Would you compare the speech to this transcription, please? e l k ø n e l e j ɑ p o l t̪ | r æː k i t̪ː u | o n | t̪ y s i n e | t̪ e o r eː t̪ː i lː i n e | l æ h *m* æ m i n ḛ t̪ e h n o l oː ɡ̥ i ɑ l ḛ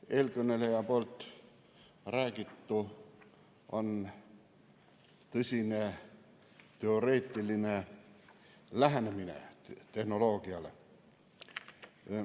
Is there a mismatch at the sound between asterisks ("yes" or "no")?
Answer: yes